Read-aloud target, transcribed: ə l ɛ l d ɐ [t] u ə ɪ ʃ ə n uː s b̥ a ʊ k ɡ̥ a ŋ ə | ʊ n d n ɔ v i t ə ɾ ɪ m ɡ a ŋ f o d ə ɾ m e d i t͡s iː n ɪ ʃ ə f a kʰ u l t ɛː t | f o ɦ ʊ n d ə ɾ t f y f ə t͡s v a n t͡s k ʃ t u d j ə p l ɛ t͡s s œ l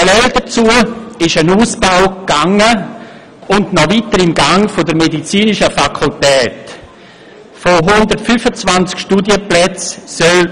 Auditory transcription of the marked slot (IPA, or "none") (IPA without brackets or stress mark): t͡s